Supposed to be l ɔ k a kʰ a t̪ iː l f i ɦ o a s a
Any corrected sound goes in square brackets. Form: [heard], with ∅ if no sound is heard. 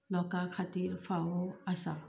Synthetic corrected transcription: l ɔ k a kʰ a t̪ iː [ɾ] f [a] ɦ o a s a